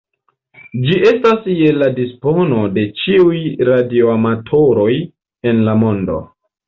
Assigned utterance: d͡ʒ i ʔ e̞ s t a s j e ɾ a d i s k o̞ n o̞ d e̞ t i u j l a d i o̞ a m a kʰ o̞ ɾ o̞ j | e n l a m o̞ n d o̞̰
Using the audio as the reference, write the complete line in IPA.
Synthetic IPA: d͡ʒ i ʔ e̞ s t a s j e l a d i s p o̞ n o̞ d e̞ t͡ʃ i u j ɾ a d i o̞ a m a tʰ o̞ ɾ o̞ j | e n l a m o̞ n d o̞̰